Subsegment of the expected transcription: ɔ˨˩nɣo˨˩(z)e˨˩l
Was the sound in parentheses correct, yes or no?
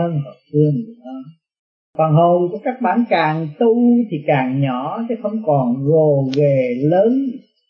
no